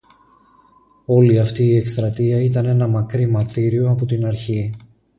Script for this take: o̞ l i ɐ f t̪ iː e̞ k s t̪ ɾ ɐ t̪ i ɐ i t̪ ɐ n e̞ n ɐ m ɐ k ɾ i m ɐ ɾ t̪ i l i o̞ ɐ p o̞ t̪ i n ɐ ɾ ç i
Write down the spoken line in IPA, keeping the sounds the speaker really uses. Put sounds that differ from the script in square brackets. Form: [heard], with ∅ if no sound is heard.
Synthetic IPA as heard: o̞ l i ɐ f t̪ iː e̞ k s t̪ ɾ ɐ t̪ i ɐ i t̪ ɐ n e̞ n ɐ m ɐ k ɾ i m ɐ ɾ t̪ i [ɾ] i o̞ ɐ p o̞ t̪ i n ɐ ɾ ç i